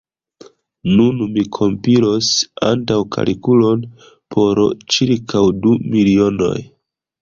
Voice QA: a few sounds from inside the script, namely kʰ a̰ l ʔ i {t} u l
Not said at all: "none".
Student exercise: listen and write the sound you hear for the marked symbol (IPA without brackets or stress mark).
k